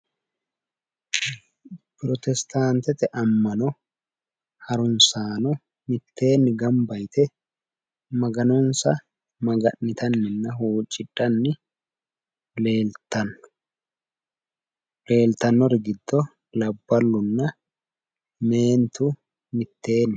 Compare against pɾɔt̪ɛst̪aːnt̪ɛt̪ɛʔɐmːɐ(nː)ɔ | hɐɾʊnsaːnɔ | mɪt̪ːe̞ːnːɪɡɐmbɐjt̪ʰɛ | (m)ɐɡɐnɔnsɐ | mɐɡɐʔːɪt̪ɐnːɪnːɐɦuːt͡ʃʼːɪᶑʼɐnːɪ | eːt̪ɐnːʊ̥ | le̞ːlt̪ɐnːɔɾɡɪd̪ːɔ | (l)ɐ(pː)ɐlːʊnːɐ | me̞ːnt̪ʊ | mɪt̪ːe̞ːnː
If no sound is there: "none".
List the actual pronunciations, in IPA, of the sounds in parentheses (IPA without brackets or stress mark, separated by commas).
n, m, l, bː